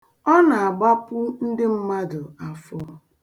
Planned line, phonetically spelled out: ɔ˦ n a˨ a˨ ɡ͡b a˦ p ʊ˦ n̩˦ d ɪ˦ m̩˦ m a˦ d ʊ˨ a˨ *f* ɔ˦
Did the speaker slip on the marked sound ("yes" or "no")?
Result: no